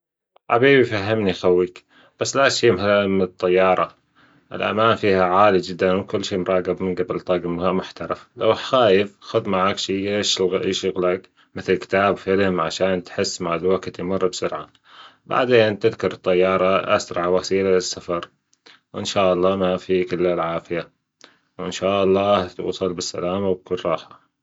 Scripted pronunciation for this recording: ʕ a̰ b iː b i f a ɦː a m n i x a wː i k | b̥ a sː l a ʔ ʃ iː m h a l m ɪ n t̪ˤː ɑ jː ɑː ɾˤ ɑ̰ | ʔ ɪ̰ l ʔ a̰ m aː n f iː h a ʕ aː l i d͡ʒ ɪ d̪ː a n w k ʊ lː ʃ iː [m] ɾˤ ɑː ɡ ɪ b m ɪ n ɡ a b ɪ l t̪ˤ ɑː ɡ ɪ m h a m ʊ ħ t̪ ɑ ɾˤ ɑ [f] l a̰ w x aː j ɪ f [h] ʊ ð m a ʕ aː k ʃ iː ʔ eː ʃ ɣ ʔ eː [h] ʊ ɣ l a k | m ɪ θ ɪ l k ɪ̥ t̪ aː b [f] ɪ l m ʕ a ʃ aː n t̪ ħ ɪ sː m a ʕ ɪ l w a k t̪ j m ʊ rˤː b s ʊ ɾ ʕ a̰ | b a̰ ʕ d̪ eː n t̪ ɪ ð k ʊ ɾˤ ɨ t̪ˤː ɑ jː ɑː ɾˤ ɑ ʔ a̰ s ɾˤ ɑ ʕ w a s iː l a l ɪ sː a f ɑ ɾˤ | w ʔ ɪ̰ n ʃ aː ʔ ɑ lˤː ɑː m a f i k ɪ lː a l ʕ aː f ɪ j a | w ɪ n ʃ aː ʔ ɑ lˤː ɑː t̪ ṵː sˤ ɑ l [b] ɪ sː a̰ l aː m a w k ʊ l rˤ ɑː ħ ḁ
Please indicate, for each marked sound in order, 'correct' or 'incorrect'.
correct, correct, incorrect: x, incorrect: ʃ, correct, correct

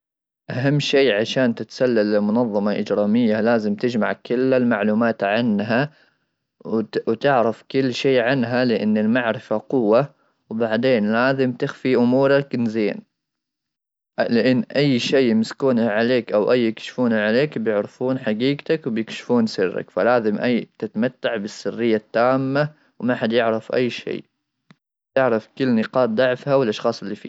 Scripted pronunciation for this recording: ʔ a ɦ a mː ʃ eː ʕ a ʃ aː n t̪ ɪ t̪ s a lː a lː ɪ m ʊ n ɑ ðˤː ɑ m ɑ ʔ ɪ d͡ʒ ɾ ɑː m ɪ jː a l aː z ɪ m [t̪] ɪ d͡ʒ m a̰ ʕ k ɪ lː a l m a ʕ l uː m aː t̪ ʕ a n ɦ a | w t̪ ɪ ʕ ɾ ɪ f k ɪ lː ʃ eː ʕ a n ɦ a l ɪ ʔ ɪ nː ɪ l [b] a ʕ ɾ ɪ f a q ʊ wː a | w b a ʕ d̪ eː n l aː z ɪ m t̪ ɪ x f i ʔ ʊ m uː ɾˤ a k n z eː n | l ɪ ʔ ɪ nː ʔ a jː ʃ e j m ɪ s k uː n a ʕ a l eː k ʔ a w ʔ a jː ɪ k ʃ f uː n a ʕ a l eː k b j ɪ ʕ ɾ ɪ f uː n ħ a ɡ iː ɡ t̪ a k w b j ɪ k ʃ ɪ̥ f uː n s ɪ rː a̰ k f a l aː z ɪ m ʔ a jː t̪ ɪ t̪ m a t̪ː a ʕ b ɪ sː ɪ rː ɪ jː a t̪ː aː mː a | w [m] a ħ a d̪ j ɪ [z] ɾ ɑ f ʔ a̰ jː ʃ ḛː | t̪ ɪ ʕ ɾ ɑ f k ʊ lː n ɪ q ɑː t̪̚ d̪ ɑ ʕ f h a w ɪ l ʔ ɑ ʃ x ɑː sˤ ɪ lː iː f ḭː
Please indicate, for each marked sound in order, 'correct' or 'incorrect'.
correct, incorrect: m, correct, incorrect: ʕ

